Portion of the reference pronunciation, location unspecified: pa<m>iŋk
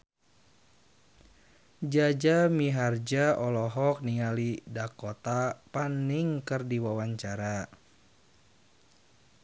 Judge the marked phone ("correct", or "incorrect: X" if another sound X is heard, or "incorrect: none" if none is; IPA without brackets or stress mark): incorrect: n